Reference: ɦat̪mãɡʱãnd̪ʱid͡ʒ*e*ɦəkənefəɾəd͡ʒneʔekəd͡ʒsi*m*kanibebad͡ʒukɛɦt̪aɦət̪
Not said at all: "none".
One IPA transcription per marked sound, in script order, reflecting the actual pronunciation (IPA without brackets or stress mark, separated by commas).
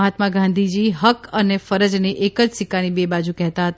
i, none